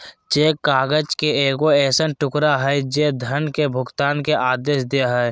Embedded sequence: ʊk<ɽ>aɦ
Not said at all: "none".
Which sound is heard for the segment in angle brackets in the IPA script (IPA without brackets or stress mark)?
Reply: ɾ